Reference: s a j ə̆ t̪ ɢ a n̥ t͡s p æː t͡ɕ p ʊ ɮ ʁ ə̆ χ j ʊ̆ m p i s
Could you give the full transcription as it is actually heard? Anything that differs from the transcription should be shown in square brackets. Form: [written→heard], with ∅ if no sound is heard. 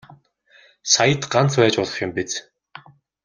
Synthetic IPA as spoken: s a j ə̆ t̪ ɢ a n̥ t͡s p æː t͡ɕ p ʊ ɮ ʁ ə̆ χ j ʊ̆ m p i [s→t͡s]